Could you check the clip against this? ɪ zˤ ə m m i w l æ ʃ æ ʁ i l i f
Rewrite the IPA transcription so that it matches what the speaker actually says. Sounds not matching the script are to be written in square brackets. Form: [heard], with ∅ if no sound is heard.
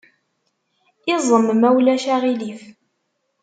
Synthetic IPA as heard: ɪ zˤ ə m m [æ] w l æ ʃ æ ʁ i l i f